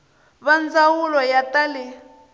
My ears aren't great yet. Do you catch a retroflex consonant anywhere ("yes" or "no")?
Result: no